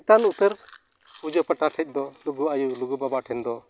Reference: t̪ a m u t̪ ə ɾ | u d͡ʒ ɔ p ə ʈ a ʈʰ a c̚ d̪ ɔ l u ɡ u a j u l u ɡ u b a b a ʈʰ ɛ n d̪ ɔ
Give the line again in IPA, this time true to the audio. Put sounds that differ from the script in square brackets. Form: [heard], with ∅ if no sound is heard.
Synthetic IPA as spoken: t̪ a [n] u t̪ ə ɾ | u d͡ʒ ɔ p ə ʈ a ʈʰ [ɛ] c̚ d̪ ɔ l u ɡ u a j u l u ɡ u b a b a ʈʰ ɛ n d̪ ɔ